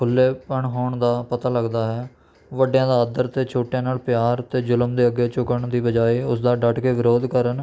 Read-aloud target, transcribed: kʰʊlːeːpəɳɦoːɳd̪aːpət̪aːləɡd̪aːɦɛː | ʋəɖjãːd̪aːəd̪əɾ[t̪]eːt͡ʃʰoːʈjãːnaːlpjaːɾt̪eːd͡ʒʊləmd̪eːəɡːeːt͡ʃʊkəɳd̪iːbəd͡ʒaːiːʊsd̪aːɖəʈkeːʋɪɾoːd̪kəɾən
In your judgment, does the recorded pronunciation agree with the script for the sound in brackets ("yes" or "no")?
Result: yes